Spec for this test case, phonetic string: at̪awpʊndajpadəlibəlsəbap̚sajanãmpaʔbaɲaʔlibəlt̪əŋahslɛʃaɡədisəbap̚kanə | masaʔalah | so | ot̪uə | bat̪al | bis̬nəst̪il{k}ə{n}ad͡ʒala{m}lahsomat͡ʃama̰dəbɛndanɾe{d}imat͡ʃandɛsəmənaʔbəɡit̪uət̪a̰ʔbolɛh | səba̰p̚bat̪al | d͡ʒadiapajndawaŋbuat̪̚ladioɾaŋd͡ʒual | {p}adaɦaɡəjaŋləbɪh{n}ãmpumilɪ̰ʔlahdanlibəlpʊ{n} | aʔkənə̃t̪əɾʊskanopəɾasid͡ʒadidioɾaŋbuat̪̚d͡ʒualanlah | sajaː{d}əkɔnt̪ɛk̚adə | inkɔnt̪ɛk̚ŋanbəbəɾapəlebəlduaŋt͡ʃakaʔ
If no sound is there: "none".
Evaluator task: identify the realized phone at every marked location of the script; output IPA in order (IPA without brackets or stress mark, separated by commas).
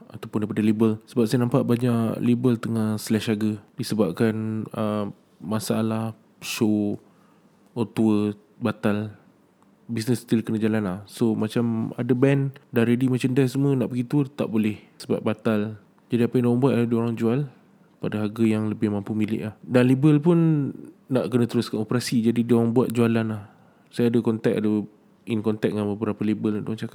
k, n, n, d, p, m, nː, d